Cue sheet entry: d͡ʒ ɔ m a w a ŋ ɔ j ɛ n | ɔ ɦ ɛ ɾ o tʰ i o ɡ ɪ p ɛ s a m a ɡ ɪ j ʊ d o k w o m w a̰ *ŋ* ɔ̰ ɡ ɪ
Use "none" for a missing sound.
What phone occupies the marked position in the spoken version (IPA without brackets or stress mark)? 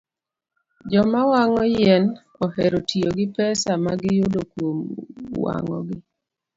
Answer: ŋ